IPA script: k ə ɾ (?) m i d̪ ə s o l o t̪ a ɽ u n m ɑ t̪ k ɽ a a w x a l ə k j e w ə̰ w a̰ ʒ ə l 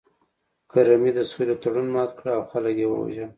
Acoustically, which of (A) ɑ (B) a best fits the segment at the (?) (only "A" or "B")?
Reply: B